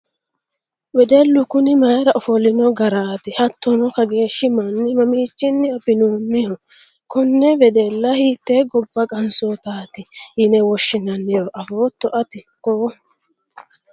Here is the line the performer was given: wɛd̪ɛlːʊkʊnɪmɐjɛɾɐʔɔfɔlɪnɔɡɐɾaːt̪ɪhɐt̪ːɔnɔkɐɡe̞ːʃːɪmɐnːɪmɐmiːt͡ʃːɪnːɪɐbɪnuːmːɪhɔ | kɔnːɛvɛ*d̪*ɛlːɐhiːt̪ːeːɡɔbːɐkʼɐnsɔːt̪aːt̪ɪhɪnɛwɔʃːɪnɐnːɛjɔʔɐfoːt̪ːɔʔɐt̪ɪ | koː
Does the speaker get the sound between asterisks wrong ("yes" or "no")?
no